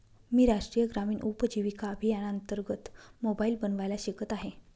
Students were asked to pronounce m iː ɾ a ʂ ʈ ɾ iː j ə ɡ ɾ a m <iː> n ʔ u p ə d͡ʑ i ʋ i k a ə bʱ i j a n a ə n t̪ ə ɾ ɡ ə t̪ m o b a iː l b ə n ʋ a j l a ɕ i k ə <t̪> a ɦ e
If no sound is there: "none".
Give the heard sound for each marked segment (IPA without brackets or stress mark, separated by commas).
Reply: iː, t̪